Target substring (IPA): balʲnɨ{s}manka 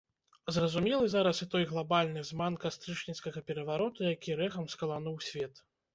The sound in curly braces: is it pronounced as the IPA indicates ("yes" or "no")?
no